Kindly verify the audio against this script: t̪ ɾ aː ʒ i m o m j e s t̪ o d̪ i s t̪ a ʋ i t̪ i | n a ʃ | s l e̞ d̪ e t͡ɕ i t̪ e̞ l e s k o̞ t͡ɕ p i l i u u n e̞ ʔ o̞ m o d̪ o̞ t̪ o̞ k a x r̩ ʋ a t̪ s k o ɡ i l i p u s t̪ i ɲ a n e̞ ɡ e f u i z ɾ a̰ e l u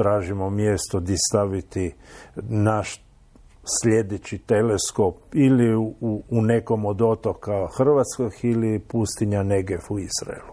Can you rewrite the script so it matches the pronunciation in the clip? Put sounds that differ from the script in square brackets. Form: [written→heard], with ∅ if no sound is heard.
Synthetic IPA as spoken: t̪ ɾ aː ʒ i m o m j e s t̪ o d̪ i s t̪ a ʋ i t̪ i | n a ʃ | s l e̞ d̪ e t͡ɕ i t̪ e̞ l e s k o̞ [t͡ɕ→∅] p i l i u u n e̞ [ʔ→k] o̞ m o d̪ o̞ t̪ o̞ k a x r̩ ʋ a t̪ s k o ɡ i l i p u s t̪ i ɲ a n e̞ ɡ e f u i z ɾ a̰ e l u